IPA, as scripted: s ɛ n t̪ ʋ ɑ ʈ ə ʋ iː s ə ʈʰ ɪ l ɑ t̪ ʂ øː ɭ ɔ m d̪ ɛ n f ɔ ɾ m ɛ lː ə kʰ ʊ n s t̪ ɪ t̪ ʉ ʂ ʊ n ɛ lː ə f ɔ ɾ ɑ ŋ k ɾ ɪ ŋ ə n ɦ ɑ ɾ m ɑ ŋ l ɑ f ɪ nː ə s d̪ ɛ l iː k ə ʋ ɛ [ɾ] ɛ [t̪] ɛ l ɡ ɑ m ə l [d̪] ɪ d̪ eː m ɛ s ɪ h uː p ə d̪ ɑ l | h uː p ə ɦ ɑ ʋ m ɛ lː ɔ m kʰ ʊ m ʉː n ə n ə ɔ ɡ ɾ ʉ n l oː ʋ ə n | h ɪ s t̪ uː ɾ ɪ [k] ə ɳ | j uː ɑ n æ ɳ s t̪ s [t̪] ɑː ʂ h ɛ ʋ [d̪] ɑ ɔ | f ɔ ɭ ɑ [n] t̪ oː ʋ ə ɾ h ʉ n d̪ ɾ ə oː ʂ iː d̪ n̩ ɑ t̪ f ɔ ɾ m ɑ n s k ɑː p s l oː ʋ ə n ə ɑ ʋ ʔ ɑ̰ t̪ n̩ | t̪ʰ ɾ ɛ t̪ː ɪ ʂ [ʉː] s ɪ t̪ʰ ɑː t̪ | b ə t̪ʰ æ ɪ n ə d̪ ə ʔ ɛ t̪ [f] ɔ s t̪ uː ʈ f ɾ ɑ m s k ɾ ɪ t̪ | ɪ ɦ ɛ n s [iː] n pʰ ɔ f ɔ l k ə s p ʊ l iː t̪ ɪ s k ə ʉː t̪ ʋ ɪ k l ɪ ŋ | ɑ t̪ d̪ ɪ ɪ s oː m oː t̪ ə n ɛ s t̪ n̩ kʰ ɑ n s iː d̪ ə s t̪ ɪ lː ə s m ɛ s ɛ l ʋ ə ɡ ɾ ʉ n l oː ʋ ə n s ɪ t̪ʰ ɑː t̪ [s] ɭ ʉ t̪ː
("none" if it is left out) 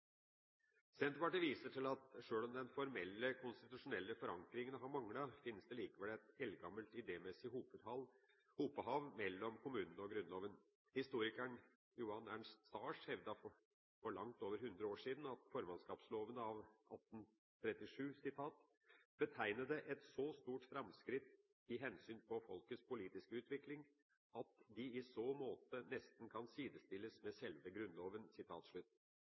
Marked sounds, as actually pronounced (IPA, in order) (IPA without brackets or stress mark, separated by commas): l, t̪, t̪, k, t̪, d̪, ŋ, ʉː, s, yː, ʂ